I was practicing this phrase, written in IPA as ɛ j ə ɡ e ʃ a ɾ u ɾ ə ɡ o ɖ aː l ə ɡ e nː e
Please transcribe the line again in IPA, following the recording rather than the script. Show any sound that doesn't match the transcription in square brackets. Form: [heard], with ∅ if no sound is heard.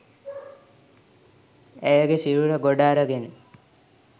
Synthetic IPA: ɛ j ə ɡ e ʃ [i] ɾ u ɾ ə ɡ o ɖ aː [ɾ] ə ɡ e [n] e